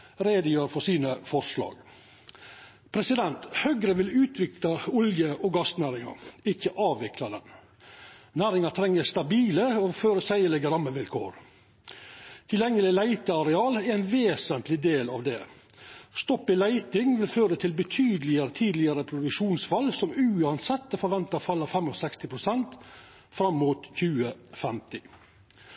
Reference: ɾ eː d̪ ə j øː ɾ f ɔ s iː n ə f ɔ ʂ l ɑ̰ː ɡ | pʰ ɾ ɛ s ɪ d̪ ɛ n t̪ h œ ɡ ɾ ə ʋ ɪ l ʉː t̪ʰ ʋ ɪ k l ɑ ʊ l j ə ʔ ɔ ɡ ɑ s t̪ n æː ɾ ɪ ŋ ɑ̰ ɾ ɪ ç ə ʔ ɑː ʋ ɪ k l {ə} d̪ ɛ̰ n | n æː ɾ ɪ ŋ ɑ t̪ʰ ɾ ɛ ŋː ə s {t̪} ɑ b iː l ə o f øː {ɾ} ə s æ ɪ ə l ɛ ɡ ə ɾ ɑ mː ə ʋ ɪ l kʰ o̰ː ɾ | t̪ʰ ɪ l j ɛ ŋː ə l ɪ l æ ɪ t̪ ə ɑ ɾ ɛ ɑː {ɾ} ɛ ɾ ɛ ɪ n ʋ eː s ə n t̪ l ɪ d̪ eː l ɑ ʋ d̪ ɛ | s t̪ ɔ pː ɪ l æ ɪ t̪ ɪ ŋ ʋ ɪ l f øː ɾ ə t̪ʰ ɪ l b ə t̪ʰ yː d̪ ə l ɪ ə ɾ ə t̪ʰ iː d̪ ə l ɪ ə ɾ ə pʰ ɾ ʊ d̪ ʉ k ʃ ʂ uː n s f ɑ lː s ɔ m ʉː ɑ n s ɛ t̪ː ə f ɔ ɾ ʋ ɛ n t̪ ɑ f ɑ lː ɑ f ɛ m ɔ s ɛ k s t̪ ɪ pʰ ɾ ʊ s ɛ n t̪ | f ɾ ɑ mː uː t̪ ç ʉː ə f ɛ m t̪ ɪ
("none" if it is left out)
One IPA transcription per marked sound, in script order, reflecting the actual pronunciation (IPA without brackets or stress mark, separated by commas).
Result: ɑ, t̪, ɾ, l